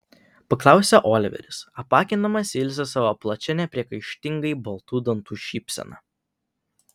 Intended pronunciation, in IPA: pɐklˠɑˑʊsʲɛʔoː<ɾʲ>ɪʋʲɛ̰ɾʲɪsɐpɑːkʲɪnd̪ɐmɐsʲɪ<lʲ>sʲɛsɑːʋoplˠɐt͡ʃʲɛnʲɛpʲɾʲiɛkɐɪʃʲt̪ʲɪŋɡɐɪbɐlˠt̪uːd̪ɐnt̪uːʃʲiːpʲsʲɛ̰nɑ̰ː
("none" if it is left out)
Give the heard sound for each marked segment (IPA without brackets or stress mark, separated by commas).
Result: lʲ, lʲ